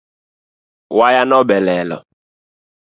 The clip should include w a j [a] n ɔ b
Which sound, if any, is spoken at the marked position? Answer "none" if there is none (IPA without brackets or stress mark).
a